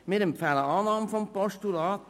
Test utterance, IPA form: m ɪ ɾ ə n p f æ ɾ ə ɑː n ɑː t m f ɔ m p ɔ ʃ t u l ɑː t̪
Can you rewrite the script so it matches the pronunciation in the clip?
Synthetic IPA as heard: m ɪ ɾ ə m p f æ l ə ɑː n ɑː m f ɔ m p ɔ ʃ t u l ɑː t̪